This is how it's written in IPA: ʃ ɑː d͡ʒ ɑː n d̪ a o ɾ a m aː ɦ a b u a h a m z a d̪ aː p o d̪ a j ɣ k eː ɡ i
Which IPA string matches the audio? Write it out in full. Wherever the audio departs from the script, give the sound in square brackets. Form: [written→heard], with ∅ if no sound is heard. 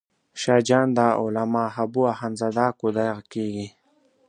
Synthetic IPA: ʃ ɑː d͡ʒ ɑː n d̪ a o [ɾ→l] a m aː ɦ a b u a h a [m→n] z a d̪ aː [p→k] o d̪ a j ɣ k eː ɡ i